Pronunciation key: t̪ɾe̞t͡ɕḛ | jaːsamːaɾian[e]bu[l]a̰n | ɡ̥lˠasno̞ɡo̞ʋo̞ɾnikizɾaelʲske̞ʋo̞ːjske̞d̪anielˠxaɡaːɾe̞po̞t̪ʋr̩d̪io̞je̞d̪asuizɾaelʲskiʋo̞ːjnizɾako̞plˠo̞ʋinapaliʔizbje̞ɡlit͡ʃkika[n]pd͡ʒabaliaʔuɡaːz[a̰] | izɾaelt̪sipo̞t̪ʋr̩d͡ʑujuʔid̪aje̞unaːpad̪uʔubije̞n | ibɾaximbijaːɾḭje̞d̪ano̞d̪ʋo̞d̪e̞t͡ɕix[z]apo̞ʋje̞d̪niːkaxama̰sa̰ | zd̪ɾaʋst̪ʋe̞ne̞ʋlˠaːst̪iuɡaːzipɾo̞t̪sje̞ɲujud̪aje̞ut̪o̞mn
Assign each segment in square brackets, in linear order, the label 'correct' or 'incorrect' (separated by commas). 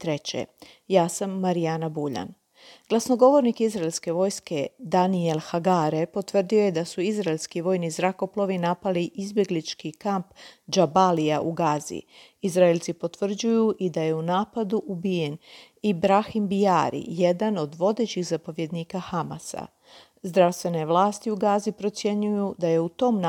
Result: incorrect, incorrect, incorrect, incorrect, correct